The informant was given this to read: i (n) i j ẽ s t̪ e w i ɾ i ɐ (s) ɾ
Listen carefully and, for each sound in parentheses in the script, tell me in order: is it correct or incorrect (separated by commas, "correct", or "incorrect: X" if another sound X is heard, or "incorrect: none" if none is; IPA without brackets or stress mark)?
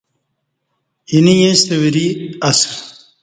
correct, correct